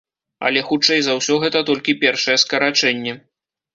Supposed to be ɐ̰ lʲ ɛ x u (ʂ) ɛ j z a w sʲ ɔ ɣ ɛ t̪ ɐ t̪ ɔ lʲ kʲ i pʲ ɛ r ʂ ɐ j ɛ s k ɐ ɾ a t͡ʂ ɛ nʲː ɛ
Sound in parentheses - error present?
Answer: yes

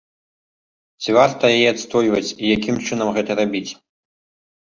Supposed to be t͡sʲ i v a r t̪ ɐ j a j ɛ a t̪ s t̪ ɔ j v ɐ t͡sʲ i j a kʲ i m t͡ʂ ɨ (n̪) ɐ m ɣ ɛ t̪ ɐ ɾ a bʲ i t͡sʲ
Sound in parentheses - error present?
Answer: no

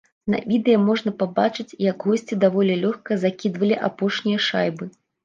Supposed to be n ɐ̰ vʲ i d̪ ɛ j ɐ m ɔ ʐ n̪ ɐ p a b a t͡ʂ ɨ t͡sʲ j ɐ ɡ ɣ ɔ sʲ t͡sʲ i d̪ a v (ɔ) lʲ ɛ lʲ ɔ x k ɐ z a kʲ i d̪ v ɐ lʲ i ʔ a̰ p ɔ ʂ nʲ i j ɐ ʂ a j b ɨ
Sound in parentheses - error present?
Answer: no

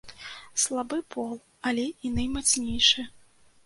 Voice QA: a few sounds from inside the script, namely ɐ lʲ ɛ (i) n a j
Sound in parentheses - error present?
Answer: no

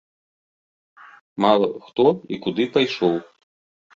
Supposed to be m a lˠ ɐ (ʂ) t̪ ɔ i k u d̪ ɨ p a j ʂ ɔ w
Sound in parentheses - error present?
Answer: yes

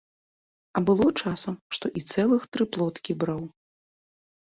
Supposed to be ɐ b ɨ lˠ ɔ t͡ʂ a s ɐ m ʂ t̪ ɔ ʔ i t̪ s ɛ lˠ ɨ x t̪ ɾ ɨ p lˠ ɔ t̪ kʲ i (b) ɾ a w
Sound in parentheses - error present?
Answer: no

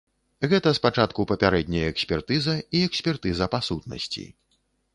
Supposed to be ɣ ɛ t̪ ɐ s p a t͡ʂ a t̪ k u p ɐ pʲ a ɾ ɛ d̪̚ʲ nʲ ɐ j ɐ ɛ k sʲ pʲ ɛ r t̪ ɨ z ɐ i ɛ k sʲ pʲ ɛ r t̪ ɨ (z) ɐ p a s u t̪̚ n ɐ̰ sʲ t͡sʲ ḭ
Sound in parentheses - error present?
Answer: no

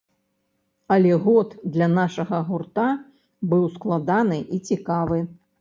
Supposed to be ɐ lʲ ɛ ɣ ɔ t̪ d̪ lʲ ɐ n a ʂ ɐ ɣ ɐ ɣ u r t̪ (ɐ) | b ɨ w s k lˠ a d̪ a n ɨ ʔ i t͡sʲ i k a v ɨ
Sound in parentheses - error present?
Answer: yes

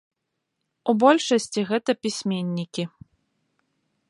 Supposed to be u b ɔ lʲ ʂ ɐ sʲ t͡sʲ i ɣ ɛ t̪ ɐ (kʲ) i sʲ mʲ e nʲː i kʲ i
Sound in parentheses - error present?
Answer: yes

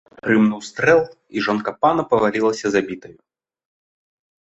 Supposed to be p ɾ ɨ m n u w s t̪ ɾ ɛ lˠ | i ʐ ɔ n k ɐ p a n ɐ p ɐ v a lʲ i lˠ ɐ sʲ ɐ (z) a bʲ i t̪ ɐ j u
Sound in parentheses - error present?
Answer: no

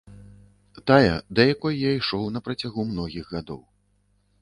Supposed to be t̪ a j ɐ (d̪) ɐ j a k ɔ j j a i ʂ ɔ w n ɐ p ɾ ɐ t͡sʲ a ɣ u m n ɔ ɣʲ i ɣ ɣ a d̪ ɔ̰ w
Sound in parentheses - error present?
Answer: no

